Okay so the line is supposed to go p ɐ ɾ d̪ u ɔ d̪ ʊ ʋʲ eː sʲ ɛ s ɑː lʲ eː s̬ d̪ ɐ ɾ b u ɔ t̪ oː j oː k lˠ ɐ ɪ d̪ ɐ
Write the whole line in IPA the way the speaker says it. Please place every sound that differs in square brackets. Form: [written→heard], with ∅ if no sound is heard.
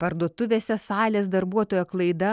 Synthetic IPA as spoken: p ɐ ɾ d̪ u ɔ [d̪→t̪] ʊ ʋʲ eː sʲ ɛ s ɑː lʲ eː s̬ d̪ ɐ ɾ b u ɔ t̪ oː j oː k lˠ ɐ ɪ d̪ ɐ